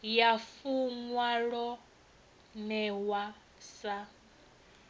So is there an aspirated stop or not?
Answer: no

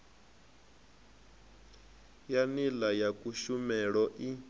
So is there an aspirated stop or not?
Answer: no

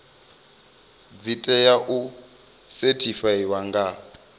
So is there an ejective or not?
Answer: yes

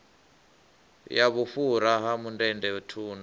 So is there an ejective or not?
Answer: no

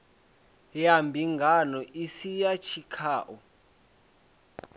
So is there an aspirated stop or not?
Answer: yes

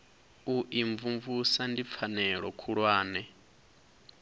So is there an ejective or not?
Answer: no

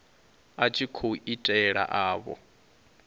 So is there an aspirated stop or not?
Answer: yes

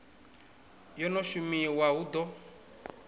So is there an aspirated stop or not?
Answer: no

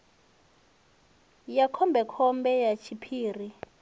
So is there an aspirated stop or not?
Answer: yes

